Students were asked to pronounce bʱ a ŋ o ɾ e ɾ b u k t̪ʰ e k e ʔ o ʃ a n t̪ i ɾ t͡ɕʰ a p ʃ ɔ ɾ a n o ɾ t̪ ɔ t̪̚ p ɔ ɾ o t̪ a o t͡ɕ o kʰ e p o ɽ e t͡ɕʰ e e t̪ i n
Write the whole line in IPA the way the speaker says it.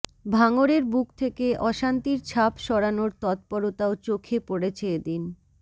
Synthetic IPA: bʱ a ŋ o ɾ e ɾ b u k t̪ʰ e k e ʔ ɔ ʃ a n t̪ i ɾ t͡ɕʰ a p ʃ ɔ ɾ a n o ɾ t̪ ɔ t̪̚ p ɔ ɾ o t̪ a o t͡ɕ o kʰ e p o ɽ e t͡ɕʰ e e d̪ i n